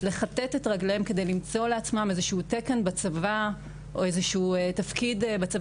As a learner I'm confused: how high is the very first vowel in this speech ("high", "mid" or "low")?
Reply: mid